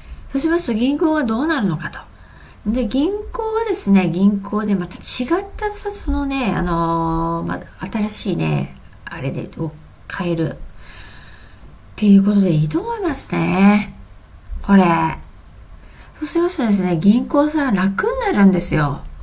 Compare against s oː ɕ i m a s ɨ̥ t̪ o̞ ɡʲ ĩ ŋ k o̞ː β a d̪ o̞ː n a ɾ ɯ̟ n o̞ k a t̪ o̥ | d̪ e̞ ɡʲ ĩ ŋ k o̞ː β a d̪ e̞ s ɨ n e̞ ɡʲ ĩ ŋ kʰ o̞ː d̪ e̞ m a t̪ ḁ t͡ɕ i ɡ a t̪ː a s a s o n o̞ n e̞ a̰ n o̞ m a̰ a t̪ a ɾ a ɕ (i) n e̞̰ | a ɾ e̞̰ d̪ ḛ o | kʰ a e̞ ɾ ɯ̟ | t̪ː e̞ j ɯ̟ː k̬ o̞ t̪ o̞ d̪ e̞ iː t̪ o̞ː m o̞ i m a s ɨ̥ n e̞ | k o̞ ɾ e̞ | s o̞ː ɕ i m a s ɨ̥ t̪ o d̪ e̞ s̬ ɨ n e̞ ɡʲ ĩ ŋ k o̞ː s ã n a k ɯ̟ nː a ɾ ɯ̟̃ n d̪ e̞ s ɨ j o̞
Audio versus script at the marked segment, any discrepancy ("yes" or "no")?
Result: yes